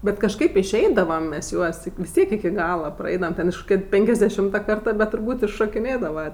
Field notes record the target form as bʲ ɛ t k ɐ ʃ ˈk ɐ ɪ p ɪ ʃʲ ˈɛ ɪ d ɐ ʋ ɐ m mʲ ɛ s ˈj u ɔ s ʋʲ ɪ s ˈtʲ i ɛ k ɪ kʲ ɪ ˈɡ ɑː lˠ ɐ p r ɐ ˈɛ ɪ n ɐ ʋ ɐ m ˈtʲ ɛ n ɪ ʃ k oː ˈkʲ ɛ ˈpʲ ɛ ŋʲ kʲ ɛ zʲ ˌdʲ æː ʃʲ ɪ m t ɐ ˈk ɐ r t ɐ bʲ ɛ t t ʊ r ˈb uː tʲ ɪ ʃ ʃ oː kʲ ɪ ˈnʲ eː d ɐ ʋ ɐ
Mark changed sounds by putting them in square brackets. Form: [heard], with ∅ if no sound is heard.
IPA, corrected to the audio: bʲ ɛ t k ɐ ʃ ˈk ɐ ɪ p ɪ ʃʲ ˈɛ ɪ d ɐ ʋ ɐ m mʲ ɛ s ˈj u ɔ s ʋʲ ɪ s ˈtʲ i ɛ k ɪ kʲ ɪ ˈɡ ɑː lˠ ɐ p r ɐ ˈɛ ɪ [d] ɐ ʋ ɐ m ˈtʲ ɛ n ɪ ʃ k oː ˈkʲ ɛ ˈpʲ ɛ ŋʲ kʲ ɛ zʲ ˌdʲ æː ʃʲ ɪ m t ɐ ˈk ɐ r t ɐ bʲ ɛ t t ʊ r ˈb uː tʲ ɪ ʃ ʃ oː kʲ ɪ ˈnʲ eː d ɐ ʋ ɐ